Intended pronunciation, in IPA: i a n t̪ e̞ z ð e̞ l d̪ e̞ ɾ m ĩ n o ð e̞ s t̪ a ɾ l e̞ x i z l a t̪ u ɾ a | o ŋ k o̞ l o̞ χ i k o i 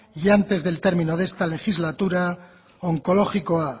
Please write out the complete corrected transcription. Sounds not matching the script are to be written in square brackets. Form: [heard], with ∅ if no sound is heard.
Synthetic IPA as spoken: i a n t̪ e̞ z ð e̞ l [t̪] e̞ ɾ m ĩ n o ð e̞ s t̪ a [∅] l e̞ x i z l a t̪ u ɾ a | o ŋ k o̞ l o̞ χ i k o [a]

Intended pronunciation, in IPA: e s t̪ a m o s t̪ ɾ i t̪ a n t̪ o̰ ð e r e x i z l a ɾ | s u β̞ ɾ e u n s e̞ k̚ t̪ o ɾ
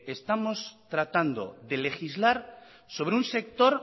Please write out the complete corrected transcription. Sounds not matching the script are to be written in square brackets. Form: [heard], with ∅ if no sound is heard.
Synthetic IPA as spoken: e s t̪ a m o s t̪ ɾ [a] t̪ a n [d̪] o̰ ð e [l] e x i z l a ɾ | s [o] β̞ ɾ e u n s e̞ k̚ t̪ o ɾ

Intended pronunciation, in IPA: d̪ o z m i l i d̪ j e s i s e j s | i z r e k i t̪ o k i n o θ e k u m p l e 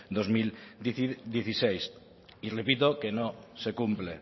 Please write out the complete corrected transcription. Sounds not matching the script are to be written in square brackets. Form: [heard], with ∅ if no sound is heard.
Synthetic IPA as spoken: d̪ o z m i l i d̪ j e [θ] i s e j s | i [∅] r e [p] i t̪ o k [e] n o [s] e k u m p l e

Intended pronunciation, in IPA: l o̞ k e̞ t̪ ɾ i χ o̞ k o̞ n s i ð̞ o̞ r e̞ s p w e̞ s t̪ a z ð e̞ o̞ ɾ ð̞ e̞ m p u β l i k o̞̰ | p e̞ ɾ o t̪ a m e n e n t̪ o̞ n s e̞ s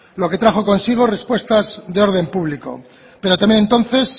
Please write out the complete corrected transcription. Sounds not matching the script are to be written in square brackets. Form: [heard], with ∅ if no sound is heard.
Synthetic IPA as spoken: l o̞ k e̞ t̪ ɾ [a] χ o̞ k o̞ n s i [ɣ̞] o̞ r e̞ s p w e̞ s t̪ a z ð e̞ o̞ ɾ ð̞ e̞ m p u β l i k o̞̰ | p e̞ ɾ o t̪ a m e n e n t̪ o̞ n [θ] e̞ s

